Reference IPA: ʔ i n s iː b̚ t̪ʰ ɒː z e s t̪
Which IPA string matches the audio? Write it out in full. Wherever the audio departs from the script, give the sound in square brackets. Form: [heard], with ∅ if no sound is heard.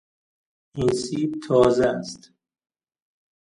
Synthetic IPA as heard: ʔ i n s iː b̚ t̪ʰ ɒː z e s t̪